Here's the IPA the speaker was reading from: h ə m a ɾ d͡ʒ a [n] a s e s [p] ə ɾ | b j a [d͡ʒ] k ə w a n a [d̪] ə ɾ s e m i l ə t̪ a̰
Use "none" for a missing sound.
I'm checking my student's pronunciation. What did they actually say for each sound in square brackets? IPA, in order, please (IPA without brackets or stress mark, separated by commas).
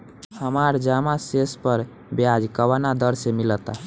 m, p, d͡ʒ, d̪